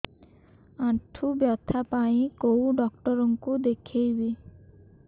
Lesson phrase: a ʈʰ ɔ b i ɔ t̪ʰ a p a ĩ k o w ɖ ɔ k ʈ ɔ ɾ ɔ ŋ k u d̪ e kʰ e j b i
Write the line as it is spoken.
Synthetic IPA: a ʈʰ u b j ɔ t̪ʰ a p a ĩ k o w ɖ ɔ k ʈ ɔ ɾ ɔ ŋ k u d̪ e kʰ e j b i